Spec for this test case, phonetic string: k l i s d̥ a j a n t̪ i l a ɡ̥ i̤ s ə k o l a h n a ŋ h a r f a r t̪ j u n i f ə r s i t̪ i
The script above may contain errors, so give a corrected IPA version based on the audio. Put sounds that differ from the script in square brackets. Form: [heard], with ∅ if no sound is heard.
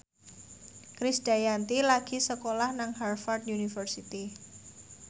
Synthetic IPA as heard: k [ɾ] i s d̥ a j a n t̪ i l a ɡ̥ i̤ s ə k o l a h n a ŋ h a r f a r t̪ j u n i f ə r s i t̪ i